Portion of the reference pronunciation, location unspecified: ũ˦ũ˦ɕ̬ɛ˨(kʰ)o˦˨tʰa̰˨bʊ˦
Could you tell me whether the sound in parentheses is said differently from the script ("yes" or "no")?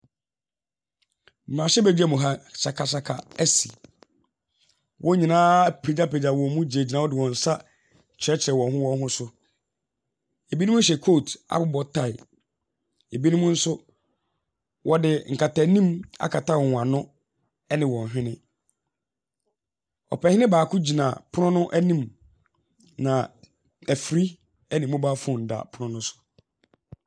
no